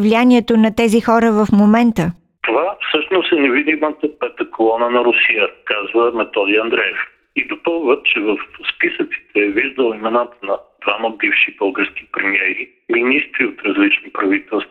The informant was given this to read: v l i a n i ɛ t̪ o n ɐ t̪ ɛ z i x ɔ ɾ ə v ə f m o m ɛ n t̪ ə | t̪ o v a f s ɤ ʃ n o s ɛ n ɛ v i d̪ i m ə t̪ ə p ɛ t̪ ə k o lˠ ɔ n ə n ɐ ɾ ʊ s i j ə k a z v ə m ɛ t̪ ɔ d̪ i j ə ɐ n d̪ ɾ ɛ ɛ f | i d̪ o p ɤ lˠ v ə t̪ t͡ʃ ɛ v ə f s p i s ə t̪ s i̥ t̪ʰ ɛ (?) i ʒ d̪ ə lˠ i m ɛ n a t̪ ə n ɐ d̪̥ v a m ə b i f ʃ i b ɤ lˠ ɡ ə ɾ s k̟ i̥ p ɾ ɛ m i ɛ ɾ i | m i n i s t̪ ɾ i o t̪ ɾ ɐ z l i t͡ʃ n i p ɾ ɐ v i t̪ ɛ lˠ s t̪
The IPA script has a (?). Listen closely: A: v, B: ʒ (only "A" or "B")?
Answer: A